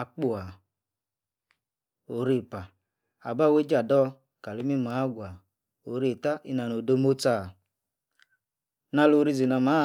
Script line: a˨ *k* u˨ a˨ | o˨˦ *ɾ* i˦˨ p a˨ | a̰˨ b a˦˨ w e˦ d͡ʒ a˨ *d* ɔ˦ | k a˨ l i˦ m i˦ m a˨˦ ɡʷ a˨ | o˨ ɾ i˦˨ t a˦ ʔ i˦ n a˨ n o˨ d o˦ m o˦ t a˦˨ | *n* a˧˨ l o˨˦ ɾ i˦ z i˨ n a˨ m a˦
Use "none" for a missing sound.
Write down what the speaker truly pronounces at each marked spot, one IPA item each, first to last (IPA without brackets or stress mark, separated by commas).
k͡p, ɾ, d, n